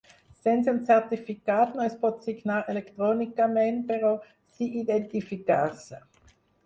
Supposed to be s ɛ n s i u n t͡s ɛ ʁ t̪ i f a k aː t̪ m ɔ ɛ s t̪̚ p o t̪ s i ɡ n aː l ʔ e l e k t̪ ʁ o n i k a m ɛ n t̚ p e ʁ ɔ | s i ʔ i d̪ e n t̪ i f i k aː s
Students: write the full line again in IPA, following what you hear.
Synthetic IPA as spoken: s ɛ n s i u n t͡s ɛ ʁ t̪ i f i k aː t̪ n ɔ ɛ s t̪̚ p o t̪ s i ɡ n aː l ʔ e l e k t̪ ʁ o n i k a m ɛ n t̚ p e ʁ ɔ | s i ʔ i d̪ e n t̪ i f i k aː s